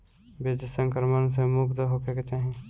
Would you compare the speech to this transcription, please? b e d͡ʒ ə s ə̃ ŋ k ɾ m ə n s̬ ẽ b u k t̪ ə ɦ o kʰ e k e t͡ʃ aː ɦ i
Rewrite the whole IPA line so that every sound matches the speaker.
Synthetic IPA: b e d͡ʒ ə s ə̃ ŋ k ɾ m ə n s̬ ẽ m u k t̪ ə ɦ o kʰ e k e t͡ʃ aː ɦ i